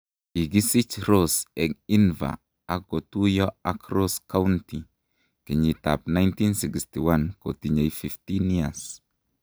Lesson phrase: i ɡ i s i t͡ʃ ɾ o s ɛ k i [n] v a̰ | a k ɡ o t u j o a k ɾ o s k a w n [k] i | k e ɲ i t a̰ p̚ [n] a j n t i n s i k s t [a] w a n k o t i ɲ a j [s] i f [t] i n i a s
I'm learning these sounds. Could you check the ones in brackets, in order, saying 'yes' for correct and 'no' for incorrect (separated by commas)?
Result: yes, no, yes, no, no, yes